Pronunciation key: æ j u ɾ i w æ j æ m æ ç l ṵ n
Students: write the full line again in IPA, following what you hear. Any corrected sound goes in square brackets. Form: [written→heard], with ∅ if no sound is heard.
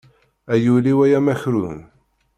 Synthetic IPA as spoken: æ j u [ɾ→l] i w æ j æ m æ ç [l→ɾ] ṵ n